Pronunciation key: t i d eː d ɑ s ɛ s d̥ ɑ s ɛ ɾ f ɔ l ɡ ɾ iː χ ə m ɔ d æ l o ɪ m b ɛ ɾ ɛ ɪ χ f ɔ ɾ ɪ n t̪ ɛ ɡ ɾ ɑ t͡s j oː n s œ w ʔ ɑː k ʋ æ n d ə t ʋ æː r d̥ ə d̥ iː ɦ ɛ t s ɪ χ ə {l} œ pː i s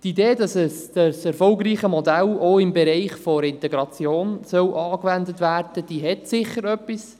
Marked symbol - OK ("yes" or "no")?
no